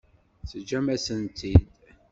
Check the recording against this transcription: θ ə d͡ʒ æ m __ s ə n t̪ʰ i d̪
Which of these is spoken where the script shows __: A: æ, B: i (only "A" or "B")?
A